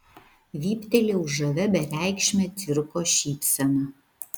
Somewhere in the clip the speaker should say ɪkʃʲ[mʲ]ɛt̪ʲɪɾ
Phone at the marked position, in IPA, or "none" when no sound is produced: mʲ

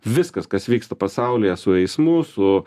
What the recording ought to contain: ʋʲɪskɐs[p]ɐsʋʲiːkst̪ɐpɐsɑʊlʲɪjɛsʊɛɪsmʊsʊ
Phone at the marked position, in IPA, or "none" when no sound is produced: k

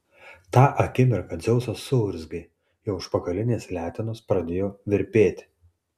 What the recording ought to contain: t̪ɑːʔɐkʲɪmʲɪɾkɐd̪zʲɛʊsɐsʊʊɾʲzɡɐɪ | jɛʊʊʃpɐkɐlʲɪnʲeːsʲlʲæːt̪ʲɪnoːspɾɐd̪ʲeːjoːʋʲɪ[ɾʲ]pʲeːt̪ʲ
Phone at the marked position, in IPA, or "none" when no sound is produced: ɾʲ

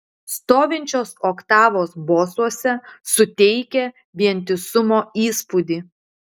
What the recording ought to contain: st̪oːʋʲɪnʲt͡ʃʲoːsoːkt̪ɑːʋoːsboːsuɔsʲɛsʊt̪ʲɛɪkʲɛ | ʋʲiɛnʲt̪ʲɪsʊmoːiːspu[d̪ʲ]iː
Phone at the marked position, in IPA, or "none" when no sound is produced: d̪ʲ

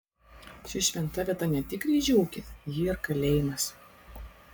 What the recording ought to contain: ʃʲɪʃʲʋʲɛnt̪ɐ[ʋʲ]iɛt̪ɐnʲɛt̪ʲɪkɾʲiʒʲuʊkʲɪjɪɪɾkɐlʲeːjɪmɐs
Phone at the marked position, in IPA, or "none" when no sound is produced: ʋʲ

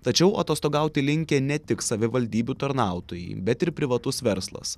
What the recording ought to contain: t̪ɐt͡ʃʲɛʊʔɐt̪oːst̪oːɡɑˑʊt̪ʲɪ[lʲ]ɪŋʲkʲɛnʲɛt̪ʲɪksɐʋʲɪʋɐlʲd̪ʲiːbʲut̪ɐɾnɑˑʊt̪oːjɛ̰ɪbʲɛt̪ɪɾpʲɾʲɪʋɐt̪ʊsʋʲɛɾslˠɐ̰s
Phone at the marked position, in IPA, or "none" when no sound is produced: lʲ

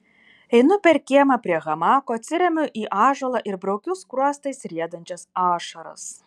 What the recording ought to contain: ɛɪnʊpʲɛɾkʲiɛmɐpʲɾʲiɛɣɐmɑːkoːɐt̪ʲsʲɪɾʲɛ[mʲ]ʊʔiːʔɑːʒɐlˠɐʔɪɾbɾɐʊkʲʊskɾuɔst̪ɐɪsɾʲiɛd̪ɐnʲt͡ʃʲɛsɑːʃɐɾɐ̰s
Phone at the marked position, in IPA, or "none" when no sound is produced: mʲ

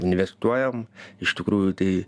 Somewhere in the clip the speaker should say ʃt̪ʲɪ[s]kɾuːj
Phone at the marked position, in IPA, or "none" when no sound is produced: none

